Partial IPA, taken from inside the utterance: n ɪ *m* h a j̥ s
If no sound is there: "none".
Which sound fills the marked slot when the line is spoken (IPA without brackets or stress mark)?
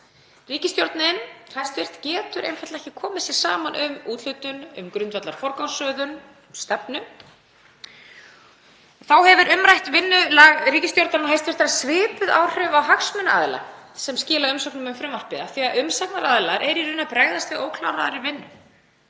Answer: n